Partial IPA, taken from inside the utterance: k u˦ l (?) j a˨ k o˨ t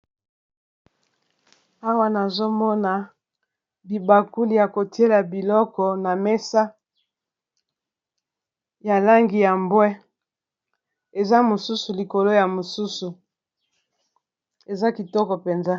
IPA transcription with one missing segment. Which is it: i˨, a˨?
i˨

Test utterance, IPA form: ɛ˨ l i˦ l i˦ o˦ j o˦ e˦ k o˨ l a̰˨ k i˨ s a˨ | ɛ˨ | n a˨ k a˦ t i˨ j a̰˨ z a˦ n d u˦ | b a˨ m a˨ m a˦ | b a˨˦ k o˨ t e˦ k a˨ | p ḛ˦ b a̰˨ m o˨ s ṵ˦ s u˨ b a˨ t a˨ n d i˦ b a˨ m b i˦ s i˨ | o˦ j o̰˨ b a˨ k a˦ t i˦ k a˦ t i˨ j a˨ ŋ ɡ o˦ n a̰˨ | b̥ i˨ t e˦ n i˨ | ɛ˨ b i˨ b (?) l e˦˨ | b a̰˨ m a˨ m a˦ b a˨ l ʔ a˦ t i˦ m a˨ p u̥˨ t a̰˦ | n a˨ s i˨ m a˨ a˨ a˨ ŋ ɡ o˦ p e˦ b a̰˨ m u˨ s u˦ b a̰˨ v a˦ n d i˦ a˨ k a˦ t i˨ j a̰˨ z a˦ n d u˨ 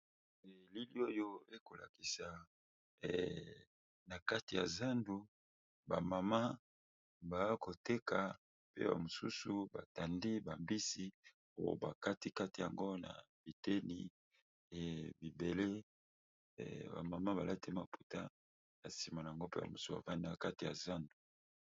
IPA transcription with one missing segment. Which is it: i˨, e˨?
e˨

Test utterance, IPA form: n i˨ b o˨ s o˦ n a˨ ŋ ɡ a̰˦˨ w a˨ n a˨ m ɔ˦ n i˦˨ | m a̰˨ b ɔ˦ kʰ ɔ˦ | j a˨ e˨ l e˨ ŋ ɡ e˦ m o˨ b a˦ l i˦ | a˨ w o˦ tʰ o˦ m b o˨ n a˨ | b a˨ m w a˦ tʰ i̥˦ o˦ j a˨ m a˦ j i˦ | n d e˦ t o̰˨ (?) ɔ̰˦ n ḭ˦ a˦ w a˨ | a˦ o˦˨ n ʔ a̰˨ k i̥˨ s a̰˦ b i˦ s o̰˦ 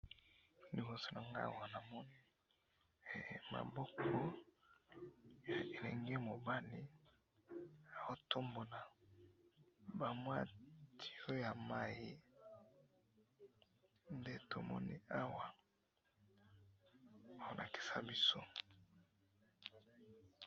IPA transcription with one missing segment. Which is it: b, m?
m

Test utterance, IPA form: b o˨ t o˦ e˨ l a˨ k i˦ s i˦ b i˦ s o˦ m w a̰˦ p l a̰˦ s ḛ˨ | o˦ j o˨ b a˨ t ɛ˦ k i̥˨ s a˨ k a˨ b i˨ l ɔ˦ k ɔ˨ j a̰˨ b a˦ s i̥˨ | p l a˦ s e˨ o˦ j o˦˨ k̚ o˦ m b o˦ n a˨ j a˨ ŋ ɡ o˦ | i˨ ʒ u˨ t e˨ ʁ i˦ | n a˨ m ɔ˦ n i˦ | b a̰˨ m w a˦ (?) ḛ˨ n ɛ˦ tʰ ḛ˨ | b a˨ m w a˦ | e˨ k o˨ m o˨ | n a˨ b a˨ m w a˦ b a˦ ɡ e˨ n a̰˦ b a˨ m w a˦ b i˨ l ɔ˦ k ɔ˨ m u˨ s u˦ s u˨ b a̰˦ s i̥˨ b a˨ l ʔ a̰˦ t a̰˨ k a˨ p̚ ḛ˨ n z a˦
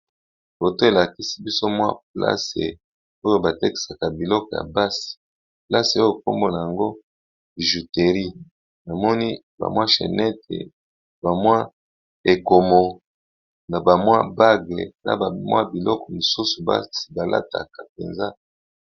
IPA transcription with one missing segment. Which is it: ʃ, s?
ʃ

